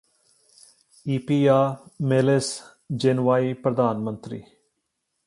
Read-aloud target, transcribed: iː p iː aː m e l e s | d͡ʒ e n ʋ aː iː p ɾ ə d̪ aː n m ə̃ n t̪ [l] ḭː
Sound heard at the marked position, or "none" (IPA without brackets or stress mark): ɾ